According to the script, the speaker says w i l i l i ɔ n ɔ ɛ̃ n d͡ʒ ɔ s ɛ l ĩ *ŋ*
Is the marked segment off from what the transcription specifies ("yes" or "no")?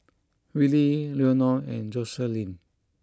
yes